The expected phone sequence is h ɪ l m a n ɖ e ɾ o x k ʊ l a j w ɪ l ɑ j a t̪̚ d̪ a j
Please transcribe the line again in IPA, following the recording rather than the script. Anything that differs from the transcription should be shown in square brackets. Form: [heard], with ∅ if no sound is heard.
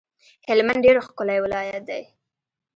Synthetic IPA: h ɪ l m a n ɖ e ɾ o x k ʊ l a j w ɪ l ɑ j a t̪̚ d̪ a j